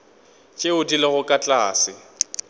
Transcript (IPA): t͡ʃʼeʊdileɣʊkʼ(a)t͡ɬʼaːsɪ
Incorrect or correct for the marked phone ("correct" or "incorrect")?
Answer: correct